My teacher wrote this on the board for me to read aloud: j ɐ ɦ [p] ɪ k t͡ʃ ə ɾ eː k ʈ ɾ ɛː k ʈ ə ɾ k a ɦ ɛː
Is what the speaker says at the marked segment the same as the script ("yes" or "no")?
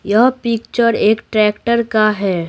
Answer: yes